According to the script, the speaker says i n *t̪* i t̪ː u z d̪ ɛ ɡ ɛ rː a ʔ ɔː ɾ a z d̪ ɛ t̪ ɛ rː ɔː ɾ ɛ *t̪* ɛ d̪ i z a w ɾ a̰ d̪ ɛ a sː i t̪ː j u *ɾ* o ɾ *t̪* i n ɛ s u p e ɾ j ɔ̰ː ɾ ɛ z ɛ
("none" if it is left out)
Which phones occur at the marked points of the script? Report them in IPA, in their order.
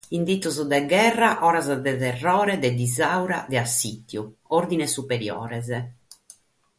d̪, d̪, none, d̪

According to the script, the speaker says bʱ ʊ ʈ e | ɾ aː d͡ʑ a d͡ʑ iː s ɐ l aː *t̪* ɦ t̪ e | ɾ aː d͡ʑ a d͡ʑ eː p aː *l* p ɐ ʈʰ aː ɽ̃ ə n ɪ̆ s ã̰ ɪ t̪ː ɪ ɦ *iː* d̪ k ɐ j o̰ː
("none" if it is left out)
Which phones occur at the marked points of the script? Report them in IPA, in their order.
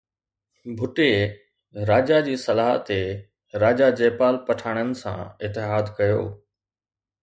none, l, aː

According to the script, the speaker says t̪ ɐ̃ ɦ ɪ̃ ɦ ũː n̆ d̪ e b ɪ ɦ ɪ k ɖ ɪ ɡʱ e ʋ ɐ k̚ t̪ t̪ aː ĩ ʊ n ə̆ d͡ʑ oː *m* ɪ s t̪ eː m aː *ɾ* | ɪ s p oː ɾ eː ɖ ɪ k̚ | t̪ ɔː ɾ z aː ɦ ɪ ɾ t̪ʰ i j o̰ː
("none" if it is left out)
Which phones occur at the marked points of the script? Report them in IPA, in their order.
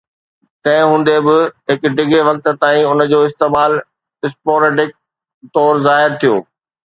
none, l

